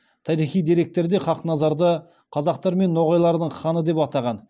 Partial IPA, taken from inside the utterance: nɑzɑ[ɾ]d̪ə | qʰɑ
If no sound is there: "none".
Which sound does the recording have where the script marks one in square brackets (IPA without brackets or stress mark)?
ɾ